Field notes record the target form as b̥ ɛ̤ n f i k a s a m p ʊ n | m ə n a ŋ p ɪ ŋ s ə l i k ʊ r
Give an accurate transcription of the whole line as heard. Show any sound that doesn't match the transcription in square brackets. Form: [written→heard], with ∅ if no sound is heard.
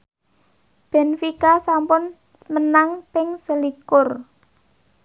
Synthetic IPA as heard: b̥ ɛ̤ n f i k a s a m p ʊ n | m ə n a ŋ p ɪ ŋ s ə l i k ʊ r